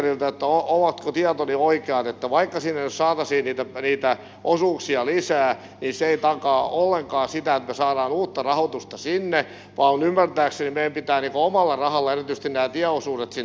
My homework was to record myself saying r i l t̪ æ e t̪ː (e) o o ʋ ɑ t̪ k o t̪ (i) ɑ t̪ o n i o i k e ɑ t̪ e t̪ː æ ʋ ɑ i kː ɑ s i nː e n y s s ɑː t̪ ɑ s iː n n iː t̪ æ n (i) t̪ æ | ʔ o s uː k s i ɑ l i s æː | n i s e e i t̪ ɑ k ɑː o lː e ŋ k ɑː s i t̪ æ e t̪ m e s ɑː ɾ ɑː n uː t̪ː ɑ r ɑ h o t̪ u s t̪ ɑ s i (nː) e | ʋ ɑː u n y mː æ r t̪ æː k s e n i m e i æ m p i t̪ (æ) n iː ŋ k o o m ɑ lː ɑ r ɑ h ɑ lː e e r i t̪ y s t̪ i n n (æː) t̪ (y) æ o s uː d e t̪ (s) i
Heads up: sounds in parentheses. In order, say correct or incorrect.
incorrect, correct, incorrect, correct, incorrect, correct, incorrect, correct

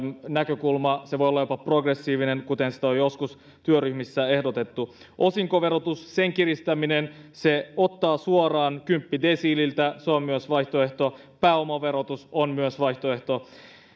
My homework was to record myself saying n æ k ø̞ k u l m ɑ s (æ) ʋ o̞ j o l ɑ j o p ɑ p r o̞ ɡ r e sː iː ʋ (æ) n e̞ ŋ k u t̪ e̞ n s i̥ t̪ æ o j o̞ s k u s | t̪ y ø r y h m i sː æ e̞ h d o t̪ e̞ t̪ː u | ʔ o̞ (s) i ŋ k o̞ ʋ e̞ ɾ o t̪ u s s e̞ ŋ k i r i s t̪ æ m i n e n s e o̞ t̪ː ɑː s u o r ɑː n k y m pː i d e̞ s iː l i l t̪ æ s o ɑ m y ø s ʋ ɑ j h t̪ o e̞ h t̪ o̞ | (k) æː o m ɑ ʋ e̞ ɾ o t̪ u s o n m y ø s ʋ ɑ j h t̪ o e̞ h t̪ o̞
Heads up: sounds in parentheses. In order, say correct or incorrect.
incorrect, incorrect, correct, incorrect

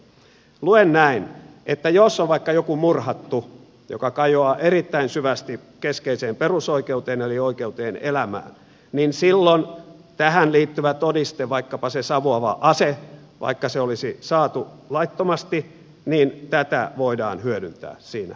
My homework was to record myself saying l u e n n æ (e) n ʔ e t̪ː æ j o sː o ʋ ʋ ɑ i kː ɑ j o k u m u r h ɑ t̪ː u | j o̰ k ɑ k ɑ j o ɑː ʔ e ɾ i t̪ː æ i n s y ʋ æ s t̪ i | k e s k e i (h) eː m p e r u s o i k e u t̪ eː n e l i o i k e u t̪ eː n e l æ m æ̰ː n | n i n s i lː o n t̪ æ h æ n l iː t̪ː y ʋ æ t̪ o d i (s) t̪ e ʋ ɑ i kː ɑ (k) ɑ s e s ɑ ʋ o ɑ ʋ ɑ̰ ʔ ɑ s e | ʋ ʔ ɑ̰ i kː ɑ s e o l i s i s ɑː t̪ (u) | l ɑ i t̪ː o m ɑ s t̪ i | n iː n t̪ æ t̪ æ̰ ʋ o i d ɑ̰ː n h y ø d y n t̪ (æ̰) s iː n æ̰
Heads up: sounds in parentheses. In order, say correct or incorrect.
incorrect, incorrect, correct, incorrect, correct, incorrect

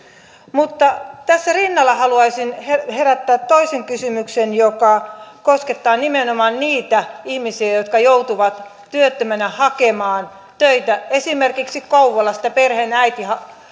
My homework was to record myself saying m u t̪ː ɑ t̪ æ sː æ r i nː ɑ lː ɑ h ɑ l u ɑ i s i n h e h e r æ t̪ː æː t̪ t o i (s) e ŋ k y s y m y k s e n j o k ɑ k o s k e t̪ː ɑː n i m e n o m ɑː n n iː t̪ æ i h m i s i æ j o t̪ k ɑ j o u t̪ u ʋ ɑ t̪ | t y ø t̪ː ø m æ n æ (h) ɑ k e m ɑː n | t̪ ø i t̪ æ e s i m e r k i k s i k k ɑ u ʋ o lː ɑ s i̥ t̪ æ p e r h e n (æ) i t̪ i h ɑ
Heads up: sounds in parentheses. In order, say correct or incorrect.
correct, correct, correct

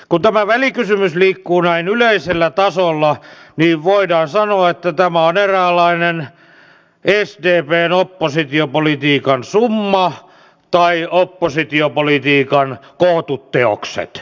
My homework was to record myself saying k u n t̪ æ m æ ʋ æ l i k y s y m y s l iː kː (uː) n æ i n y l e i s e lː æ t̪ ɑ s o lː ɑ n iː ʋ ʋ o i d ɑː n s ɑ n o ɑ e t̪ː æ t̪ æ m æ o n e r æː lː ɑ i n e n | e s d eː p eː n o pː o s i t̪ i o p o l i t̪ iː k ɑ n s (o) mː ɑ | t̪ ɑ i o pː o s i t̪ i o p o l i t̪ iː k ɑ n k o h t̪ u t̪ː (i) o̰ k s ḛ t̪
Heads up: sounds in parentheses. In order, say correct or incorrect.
correct, incorrect, incorrect

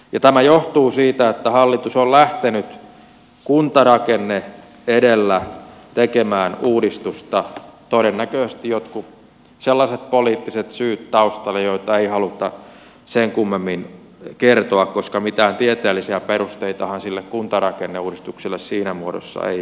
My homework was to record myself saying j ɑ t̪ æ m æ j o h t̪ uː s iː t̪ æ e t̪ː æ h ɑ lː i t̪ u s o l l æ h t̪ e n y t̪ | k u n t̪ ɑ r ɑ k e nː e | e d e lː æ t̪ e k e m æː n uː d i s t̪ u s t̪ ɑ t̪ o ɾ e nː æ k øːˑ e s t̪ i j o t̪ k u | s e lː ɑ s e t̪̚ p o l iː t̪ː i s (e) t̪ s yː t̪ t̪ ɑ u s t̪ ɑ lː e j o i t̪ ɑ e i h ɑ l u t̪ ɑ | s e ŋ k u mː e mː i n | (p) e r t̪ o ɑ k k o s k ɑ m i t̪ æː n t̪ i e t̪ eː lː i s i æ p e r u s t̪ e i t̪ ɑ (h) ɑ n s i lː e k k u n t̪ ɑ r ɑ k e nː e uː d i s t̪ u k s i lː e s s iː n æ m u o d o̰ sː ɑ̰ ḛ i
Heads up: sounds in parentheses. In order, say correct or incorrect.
correct, incorrect, correct

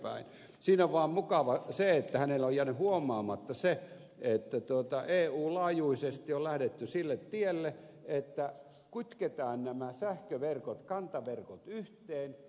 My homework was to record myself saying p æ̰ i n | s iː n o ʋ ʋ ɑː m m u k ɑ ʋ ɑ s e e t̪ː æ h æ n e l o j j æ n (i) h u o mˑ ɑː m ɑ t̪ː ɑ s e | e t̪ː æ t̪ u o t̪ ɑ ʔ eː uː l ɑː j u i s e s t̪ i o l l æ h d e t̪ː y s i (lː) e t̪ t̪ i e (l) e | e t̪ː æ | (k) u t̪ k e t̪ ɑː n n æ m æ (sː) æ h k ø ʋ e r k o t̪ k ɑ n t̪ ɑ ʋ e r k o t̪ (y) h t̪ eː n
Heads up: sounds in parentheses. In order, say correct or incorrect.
incorrect, correct, incorrect, correct, incorrect, correct

